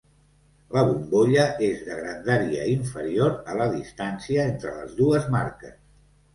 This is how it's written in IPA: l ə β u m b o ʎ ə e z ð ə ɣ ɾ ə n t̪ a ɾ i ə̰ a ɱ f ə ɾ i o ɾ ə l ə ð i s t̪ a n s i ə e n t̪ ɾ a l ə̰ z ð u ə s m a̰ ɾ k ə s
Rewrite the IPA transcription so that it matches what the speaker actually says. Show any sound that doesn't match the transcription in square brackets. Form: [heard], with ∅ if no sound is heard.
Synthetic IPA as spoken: l ə β u m b o ʎ ə e z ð ə ɣ ɾ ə n [d̪] a ɾ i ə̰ [i] ɱ f ə ɾ i o ɾ ə l ə ð i s t̪ a n s i ə e n t̪ ɾ [ə] l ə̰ z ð u ə [z] m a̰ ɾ k ə s